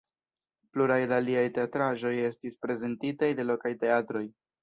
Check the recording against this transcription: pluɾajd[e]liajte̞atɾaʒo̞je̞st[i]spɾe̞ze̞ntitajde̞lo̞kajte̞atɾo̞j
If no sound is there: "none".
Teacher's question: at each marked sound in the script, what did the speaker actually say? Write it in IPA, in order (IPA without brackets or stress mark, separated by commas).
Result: a, i